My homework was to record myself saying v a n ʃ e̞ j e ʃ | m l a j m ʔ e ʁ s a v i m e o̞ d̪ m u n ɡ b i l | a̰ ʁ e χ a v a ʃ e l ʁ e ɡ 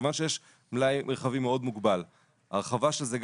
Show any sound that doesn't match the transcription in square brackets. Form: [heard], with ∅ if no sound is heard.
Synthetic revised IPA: v a n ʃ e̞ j e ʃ | m l a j m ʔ e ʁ [χ] a v i m e o̞ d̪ m u [∅] ɡ b [a] l | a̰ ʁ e χ a v a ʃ e l [z] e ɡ

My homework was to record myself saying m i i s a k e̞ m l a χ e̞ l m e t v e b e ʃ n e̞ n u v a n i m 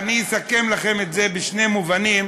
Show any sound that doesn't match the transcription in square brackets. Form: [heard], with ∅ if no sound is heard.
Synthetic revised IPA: [n] i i s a k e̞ m l a χ e̞ [∅] m e t [z] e b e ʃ n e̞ [m] u v a n i m

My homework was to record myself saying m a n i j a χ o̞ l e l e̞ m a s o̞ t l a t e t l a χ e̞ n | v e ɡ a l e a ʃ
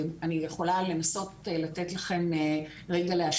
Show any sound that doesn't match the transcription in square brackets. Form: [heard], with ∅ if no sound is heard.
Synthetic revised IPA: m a n i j [e] χ o̞ l [a] l e̞ [n] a s o̞ t l a t e t l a χ e̞ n | [ʁ] e ɡ a l e a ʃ

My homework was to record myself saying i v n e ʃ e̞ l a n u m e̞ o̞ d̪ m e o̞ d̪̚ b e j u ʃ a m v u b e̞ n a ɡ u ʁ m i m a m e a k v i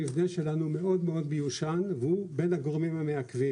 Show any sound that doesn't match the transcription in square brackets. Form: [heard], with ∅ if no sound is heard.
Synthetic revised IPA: i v n e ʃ e̞ l a n u m e̞ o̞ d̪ m e o̞ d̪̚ b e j u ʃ a [n] v u b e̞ n a ɡ [o] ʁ m i m a m e a k v i

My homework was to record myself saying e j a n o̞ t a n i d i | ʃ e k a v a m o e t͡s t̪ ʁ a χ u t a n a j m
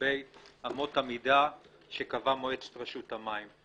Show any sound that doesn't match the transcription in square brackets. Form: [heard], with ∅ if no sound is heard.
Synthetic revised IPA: e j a [m] o̞ t a [m] i d [a] | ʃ e k a v a m o e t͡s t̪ ʁ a [ʃ] u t a [m] a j m

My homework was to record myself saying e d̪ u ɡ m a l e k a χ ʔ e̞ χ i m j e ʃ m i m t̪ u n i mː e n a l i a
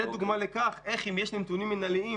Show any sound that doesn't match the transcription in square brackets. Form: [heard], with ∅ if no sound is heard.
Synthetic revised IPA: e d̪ u ɡ m a l e k a χ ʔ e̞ χ i m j e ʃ [n] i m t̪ u n i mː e n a l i [i]

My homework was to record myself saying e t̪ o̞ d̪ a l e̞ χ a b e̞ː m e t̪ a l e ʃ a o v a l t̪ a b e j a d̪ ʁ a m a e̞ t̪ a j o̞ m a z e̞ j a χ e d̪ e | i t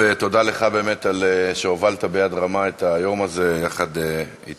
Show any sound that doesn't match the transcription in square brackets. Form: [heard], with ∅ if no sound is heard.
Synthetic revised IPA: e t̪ o̞ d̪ a l e̞ χ a b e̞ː m e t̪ a l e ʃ [e] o v a l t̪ a b e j a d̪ ʁ a m a e̞ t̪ a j o̞ m a z e̞ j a χ [a] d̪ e | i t

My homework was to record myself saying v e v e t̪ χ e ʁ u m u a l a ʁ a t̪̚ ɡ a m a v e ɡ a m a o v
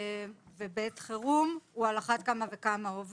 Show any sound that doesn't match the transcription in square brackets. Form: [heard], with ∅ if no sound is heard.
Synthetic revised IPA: v e [b] e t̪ χ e ʁ u m u a l a [χ] a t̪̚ [k] a m a v e [k] a m a o v

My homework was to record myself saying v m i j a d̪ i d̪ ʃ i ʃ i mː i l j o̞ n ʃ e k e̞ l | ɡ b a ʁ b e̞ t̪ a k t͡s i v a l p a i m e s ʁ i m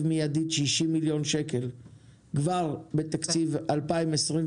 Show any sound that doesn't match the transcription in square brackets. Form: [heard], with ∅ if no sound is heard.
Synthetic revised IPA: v m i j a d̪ i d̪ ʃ i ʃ i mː i l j o̞ n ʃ e k e̞ l | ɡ [v] a ʁ b e̞ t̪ a k t͡s i v a l p a i m e s ʁ i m

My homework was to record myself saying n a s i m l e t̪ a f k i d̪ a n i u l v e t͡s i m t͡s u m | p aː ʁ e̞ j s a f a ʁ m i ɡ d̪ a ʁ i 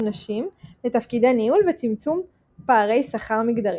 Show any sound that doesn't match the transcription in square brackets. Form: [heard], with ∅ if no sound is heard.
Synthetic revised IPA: n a [ʃ] i m l e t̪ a f k i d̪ a n i u l v e t͡s i m t͡s u m | p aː ʁ e̞ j s a [χ] a ʁ m i ɡ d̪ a ʁ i

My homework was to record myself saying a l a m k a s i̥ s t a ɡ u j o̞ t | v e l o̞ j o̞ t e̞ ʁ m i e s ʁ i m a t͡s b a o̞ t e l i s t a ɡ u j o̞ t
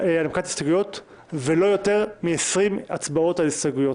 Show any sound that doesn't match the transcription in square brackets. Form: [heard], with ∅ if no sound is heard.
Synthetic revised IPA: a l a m k a [t] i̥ s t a ɡ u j o̞ t | v e l o̞ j o̞ t e̞ ʁ m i e s ʁ i m a t͡s b a o̞ t [a] l i s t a ɡ u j o̞ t

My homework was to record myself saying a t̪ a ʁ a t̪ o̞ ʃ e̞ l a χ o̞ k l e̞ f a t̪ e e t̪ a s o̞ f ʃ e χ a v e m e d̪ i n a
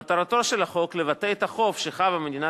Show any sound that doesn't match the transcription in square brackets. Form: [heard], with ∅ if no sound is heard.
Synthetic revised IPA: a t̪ a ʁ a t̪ o̞ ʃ e̞ l a χ o̞ k l e̞ [v] a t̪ e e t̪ a [χ] o̞ f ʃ e χ a v [a] m e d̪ i n a

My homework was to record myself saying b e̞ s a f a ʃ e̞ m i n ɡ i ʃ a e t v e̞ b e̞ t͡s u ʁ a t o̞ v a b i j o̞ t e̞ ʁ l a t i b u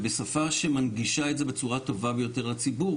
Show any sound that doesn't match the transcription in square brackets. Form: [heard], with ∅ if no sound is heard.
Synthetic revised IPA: b e̞ s a f a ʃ e̞ m [a] n ɡ i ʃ a e t [z] e̞ b e̞ t͡s u ʁ a t o̞ v a b [e] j o̞ t e̞ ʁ l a [t͡s] i b u

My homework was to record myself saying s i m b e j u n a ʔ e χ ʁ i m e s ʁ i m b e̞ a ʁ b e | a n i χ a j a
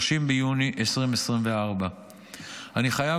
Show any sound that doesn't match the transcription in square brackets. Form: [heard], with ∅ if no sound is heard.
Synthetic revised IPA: [ʃ] i m b e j u n [i] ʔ e [s] ʁ i m e s ʁ i m [v] e̞ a ʁ b [a] | a n i χ a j a

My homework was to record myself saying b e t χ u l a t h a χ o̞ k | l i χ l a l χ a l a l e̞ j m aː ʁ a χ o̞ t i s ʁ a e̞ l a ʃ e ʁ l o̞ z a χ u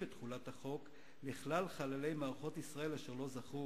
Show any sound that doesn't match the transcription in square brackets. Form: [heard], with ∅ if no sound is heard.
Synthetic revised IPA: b e t χ u l a t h a χ o̞ k | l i χ l a l χ a l a l e̞ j m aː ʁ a χ o̞ t i s ʁ a e̞ l a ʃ e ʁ l o̞ z a χ u

